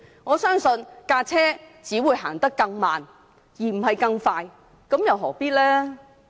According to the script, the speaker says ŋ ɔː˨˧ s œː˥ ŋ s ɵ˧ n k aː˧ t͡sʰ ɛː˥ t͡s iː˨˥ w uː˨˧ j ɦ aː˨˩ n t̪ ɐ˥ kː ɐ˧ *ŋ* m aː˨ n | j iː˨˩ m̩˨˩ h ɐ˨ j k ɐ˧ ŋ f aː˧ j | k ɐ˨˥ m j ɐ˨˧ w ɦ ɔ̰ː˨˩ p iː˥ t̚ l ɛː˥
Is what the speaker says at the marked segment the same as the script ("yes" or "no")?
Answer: yes